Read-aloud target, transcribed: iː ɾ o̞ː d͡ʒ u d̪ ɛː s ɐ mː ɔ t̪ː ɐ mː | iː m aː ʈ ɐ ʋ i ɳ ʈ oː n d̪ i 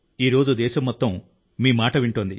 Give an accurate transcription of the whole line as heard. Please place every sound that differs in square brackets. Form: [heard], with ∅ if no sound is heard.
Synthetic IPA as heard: iː ɾ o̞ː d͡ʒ u d̪ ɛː [ʃ] ɐ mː ɔ t̪ː ɐ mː | iː m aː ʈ ɐ ʋ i ɳ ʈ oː n d̪ i

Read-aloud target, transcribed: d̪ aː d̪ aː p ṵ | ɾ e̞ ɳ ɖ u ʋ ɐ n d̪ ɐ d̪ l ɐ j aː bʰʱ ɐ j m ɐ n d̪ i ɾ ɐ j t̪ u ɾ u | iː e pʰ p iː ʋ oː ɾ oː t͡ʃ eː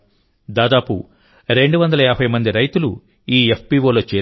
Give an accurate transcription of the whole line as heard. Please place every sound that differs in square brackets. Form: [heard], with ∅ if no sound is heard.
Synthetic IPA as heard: d̪ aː d̪ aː p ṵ | ɾ e̞ ɳ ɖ u ʋ ɐ n d̪ ɐ [∅] l ɐ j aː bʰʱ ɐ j m ɐ n d̪ i ɾ ɐ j t̪ u [l] u | iː e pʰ p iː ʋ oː [l] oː t͡ʃ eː

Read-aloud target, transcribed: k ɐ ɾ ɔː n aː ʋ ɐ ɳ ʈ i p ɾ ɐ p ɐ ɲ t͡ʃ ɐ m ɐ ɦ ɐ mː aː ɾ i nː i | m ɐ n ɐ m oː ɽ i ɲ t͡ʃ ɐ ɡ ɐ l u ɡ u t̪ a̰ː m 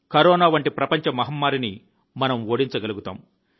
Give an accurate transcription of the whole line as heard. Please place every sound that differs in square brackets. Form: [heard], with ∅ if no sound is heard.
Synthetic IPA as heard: k ɐ ɾ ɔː n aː ʋ ɐ ɳ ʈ i p ɾ ɐ p ɐ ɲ t͡ʃ ɐ m ɐ ɦ ɐ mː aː ɾ i [n] i | m ɐ n ɐ m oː ɽ i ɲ t͡ʃ ɐ ɡ ɐ l u ɡ u t̪ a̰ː m

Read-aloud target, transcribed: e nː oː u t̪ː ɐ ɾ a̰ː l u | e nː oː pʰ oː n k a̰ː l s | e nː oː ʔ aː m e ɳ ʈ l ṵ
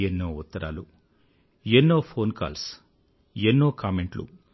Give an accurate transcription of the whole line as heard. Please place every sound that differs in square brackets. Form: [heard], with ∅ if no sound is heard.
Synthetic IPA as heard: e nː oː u t̪ː ɐ ɾ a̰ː l u | e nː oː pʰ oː n k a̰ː l s | e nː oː [k] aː m e ɳ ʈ l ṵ

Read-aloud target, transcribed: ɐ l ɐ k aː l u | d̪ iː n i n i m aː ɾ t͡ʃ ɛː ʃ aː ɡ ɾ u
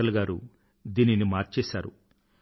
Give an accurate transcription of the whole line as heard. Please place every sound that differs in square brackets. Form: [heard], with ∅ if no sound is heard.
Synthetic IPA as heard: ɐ l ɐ [ɡ] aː [ɾ] u | d̪ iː n i n i m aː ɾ t͡ʃ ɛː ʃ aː [∅] ɾ u

